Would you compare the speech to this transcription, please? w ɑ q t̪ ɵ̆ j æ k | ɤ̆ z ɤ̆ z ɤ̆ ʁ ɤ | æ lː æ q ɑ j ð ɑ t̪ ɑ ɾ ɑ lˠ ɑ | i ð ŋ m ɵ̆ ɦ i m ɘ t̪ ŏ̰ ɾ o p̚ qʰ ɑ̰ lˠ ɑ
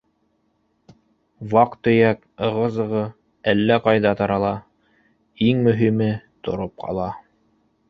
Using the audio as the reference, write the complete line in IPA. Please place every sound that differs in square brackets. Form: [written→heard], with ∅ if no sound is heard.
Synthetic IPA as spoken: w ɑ q t̪ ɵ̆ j æ k | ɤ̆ [z→ʁ] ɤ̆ z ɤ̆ ʁ ɤ | æ lː æ q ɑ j ð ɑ t̪ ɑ ɾ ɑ lˠ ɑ | i [ð→∅] ŋ m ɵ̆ ɦ i m ɘ t̪ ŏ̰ ɾ o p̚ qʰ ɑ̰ lˠ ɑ